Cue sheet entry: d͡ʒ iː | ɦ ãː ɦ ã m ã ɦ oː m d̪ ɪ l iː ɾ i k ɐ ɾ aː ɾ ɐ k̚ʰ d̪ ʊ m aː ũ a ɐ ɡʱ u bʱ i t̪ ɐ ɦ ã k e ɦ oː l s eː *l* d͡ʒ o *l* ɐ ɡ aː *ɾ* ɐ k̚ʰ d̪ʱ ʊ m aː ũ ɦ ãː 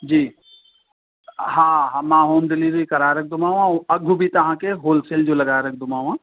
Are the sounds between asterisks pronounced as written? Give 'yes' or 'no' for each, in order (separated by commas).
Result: yes, yes, yes